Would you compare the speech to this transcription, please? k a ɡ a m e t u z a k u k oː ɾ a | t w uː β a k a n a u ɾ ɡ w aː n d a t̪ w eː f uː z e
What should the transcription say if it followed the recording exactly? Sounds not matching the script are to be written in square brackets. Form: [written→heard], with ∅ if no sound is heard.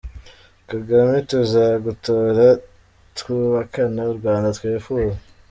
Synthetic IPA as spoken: k a ɡ a m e t u z a [k→ɡ] u [k→t] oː ɾ a | t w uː β a k a n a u ɾ ɡ w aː n d a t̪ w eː f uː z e